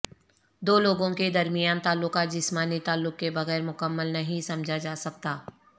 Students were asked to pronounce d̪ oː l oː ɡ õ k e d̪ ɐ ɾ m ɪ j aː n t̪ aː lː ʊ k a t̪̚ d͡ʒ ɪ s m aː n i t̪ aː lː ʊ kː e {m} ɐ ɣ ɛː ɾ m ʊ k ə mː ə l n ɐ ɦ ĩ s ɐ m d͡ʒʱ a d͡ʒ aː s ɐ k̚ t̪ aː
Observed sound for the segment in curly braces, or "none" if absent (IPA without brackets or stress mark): b